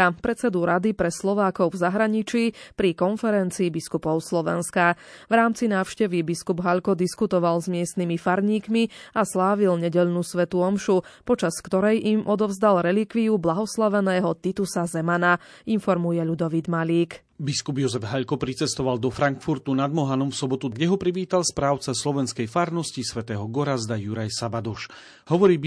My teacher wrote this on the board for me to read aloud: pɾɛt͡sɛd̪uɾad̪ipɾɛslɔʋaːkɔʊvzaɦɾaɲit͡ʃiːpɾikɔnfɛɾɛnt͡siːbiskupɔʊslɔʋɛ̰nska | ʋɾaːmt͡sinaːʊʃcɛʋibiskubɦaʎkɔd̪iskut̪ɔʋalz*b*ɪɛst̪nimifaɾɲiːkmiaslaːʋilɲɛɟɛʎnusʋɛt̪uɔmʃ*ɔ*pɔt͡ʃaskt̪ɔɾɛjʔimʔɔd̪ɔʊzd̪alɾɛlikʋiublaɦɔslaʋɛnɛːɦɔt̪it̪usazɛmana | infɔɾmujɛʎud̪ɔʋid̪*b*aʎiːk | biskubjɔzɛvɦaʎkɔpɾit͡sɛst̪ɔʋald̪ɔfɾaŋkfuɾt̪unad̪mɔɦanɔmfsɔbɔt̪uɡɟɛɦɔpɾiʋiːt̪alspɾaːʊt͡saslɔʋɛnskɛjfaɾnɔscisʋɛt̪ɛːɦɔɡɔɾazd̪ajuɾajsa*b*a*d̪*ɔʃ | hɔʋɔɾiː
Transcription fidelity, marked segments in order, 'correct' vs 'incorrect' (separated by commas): incorrect, incorrect, incorrect, correct, correct